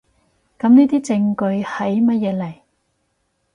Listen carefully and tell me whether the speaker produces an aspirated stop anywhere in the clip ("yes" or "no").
no